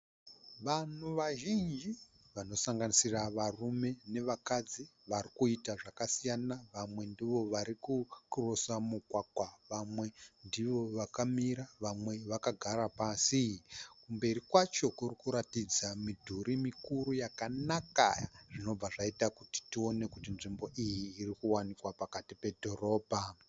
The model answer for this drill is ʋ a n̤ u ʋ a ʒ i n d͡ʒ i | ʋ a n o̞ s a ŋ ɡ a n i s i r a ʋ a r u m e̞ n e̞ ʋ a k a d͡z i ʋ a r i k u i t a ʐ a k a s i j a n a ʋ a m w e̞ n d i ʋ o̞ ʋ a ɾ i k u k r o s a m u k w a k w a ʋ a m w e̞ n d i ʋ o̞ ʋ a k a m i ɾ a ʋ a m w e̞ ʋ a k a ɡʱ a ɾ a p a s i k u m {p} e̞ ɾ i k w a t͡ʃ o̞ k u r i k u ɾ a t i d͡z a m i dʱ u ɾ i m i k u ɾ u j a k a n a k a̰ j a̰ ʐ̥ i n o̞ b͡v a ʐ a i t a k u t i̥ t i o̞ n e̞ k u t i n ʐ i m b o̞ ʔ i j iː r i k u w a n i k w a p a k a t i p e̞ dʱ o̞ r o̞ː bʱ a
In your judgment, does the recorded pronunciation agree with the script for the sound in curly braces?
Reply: no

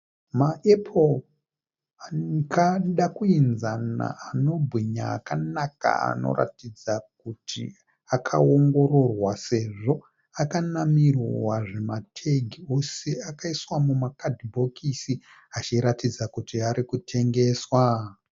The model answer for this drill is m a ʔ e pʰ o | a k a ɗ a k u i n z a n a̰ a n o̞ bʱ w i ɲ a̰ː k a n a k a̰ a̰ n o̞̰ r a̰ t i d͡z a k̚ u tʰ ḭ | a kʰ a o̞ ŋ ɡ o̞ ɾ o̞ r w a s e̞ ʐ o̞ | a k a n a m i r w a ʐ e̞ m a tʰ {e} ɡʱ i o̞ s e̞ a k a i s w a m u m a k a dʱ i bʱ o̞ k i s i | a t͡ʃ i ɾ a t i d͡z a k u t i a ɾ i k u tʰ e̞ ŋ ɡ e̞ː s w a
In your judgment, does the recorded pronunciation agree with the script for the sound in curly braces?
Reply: yes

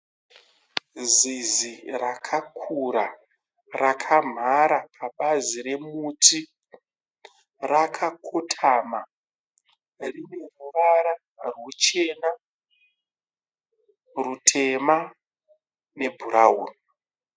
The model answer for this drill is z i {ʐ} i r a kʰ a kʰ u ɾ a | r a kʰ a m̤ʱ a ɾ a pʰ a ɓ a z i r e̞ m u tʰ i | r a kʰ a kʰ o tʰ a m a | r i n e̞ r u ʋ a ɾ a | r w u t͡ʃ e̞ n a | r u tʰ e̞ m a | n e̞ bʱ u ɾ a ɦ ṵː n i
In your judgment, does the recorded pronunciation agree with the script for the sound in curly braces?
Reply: no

